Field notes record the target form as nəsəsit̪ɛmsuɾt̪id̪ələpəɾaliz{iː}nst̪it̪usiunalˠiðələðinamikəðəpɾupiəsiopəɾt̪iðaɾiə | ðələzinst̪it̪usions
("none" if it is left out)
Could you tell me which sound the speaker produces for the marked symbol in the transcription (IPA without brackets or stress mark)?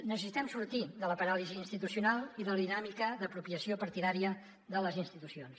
iː